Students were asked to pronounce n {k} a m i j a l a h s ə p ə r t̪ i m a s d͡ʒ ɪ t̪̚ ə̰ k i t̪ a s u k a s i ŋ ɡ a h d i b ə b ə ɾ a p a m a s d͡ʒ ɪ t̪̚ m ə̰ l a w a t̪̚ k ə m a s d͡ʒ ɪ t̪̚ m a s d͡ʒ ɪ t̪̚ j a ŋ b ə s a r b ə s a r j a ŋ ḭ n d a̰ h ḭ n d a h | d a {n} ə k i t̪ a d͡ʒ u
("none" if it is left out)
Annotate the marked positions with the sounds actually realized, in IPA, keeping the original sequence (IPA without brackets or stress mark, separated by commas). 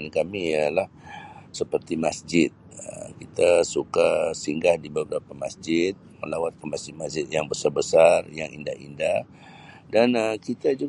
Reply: k, n